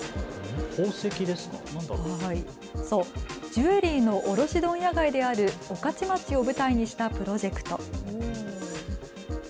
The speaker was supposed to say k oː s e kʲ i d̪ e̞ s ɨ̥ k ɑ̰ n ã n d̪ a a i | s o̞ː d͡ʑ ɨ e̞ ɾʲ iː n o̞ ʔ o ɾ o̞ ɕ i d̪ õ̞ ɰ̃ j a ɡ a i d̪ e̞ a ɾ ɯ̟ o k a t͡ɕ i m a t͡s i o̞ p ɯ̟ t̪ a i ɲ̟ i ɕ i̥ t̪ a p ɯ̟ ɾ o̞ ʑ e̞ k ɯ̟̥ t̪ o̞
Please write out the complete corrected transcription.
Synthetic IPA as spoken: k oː s e kʲ i d̪ e̞ s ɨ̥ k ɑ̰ n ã n d̪ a a i | s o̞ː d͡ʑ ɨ e̞ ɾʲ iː n o̞ ʔ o ɾ o̞ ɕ i d̪ õ̞ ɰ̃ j a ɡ a i d̪ e̞ a ɾ ɯ̟ o k a t͡ɕ i m a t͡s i o̞ b ɯ̟ t̪ a i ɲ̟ i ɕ i̥ t̪ a p ɯ̟ ɾ o̞ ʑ e̞ k ɯ̟̥ t̪ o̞